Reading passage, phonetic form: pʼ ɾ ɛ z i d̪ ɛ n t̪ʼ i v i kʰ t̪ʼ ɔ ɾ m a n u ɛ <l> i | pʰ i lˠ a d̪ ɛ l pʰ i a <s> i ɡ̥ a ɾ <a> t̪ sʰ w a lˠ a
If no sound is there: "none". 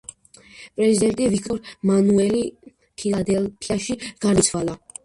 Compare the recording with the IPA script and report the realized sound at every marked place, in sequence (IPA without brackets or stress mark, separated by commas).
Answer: l, ʃ, i